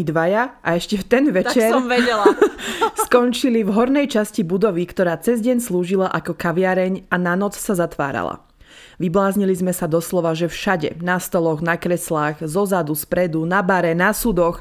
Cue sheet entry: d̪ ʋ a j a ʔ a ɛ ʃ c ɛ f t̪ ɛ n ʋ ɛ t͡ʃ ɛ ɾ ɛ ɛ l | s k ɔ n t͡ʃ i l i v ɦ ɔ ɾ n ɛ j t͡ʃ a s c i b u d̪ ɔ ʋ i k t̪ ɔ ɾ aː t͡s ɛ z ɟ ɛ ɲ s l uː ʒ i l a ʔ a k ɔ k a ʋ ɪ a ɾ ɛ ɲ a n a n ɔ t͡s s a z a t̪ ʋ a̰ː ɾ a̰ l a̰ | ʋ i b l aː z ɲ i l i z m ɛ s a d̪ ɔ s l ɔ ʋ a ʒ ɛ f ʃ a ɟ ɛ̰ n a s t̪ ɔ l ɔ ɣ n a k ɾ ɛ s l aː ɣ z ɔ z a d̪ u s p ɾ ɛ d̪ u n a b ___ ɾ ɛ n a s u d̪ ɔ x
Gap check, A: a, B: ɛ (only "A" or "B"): A